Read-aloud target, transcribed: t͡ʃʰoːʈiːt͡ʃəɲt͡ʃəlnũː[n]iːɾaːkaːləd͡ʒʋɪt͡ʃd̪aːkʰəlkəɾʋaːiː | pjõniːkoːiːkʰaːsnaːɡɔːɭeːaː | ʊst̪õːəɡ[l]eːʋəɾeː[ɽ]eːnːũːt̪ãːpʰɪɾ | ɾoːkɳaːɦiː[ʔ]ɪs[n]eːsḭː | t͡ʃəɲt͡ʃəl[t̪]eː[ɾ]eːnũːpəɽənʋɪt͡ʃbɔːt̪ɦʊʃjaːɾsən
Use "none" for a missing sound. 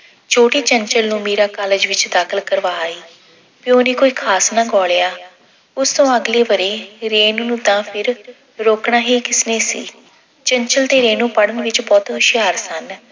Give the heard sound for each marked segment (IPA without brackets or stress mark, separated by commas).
m, l, ɾ, k, n, t̪, ɾ